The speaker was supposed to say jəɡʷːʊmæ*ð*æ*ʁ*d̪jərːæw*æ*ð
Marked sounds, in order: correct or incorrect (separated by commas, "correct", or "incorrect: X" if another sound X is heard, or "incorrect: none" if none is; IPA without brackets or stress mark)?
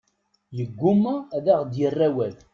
correct, correct, correct